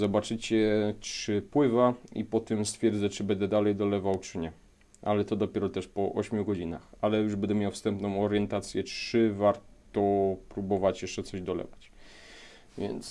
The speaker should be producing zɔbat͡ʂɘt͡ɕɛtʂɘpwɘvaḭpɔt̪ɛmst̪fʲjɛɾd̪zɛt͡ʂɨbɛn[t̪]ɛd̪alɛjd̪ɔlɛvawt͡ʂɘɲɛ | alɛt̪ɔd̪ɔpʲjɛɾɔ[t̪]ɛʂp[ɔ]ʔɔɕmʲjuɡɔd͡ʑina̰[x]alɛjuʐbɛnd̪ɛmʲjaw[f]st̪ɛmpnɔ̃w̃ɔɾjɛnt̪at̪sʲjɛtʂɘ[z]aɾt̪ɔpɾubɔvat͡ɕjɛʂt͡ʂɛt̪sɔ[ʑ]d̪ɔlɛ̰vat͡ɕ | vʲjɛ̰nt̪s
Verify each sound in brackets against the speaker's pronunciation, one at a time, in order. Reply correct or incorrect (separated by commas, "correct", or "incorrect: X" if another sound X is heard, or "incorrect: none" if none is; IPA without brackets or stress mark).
incorrect: d̪, correct, correct, correct, correct, incorrect: v, correct